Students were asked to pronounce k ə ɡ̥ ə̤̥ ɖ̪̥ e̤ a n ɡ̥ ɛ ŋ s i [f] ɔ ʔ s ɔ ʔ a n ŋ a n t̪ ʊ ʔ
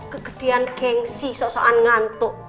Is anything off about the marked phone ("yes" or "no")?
yes